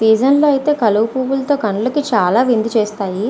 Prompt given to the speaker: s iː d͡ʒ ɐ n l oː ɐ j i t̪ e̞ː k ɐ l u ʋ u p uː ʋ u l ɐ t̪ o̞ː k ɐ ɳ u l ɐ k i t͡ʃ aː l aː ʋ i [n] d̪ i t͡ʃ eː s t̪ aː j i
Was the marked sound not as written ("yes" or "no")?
no